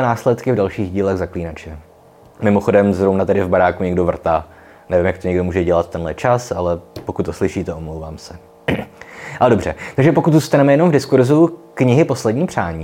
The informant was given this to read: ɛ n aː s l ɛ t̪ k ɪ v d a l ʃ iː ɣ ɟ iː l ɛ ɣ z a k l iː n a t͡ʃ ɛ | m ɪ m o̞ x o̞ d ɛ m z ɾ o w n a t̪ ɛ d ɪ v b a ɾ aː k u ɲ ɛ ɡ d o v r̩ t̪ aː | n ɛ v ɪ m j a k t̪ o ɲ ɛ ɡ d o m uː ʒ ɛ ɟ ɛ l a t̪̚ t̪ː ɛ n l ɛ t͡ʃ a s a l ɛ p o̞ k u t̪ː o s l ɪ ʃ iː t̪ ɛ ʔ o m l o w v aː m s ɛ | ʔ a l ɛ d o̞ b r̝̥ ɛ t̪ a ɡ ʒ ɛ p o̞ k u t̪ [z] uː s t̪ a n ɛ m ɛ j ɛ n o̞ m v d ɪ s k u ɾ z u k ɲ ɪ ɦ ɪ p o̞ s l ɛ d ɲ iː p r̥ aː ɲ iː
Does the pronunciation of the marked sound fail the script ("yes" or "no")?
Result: no